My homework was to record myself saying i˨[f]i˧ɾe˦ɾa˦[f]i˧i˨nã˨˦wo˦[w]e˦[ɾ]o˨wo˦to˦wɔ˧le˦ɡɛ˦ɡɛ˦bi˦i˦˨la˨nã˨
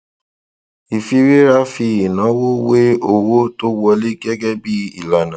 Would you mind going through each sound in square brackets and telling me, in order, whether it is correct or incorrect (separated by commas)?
correct, correct, correct, incorrect